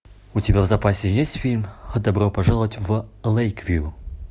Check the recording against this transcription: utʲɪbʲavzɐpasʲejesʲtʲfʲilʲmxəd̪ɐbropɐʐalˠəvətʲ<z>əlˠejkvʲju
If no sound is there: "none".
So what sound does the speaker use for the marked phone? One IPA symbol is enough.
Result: v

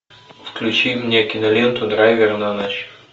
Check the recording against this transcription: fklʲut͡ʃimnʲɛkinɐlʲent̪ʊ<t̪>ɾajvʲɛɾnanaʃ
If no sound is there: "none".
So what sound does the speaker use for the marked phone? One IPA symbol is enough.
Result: d̪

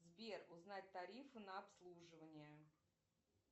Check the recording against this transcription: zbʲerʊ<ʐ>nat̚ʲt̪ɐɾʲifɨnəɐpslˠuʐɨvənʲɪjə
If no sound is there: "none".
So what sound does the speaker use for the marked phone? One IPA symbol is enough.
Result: z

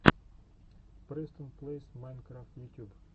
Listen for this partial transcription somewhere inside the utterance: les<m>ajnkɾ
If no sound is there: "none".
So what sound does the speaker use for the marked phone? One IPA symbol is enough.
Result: m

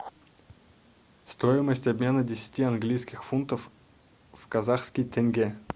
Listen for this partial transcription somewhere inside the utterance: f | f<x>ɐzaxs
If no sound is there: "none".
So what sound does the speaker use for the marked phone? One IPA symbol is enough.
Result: k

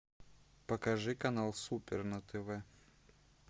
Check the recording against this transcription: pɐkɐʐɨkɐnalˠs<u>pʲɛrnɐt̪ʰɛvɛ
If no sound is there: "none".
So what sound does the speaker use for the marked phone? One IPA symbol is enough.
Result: u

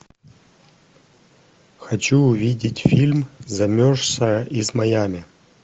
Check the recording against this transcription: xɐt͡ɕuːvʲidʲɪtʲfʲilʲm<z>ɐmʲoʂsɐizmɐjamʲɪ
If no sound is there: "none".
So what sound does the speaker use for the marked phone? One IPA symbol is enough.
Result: z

